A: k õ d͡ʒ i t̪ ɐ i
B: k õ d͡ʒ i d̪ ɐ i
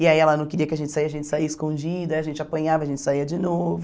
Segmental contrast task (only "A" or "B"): B